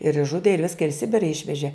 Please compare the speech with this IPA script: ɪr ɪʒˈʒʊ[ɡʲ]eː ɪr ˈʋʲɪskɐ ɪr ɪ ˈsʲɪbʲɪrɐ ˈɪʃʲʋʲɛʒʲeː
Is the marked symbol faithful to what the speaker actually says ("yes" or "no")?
no